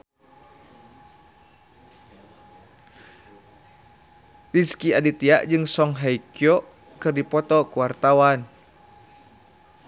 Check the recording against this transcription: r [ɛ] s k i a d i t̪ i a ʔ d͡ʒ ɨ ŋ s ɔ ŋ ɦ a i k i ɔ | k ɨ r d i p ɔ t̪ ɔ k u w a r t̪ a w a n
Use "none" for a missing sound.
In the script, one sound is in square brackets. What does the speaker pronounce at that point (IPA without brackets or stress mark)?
i